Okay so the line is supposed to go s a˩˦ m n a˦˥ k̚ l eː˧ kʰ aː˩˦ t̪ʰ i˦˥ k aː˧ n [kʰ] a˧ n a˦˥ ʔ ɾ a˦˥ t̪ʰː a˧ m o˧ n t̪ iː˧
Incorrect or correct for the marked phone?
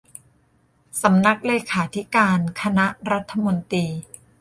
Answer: correct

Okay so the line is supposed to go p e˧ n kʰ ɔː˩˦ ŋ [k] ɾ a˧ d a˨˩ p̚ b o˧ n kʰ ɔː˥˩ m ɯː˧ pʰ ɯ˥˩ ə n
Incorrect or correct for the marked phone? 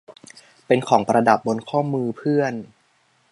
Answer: incorrect: p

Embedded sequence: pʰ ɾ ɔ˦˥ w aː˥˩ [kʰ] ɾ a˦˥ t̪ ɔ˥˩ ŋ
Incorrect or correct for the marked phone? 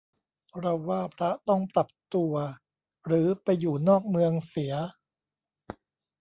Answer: incorrect: pʰ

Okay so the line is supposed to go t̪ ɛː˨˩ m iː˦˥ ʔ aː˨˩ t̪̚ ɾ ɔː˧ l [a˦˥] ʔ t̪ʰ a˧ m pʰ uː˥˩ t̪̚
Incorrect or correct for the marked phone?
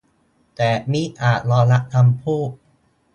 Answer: correct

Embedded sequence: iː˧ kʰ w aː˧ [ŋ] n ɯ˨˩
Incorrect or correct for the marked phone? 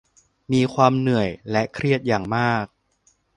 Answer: incorrect: m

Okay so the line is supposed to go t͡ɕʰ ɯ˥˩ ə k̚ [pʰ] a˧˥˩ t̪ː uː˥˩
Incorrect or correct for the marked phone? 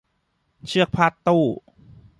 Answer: correct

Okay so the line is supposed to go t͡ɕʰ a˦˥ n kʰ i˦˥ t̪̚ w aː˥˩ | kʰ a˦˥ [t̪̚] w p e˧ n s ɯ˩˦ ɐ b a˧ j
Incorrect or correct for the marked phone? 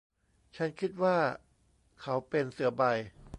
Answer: incorrect: none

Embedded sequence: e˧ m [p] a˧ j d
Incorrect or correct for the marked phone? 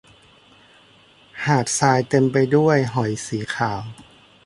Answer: correct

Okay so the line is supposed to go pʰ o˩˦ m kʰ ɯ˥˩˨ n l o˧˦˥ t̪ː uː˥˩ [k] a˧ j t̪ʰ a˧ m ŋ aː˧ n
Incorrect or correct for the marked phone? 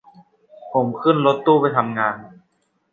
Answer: incorrect: p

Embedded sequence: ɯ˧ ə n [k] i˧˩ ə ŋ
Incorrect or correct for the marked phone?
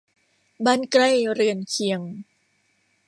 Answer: incorrect: kʰ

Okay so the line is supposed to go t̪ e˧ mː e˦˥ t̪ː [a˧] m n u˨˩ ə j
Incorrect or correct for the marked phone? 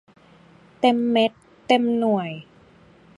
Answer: incorrect: e˧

